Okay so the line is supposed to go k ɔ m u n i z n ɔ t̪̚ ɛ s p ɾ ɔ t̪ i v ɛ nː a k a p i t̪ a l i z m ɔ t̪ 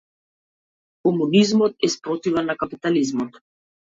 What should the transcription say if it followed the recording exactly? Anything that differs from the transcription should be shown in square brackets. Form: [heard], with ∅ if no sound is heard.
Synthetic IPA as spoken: k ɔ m u n i z [m] ɔ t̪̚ ɛ s p ɾ ɔ t̪ i v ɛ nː a k a p i t̪ a l i z m ɔ t̪